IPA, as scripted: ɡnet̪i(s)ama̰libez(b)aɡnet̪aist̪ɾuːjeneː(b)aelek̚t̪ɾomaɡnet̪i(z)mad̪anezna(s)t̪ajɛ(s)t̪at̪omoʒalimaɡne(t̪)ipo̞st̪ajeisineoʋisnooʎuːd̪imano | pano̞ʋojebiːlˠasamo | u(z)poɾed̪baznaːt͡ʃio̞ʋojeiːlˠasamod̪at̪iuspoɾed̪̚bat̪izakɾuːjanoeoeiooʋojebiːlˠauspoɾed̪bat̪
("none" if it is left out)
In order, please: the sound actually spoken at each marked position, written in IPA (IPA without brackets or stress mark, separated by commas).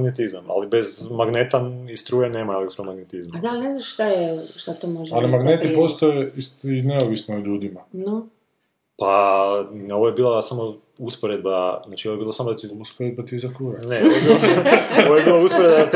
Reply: z, m, m, z, ʃ, ʃ, t̪, s